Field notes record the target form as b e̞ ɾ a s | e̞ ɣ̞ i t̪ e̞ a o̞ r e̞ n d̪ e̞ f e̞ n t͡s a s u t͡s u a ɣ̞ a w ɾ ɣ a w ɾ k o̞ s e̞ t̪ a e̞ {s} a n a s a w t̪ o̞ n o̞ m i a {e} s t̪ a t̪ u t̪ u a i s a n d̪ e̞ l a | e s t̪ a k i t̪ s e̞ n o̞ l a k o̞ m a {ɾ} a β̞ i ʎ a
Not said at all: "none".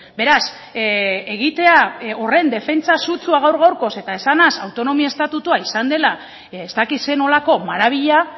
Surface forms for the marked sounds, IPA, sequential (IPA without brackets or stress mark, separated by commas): s, e, ɾ